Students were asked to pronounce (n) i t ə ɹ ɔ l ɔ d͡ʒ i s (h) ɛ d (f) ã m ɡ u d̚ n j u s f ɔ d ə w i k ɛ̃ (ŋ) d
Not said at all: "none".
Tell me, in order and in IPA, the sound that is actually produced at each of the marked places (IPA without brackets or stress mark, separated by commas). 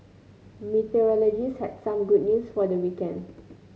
m, h, s, n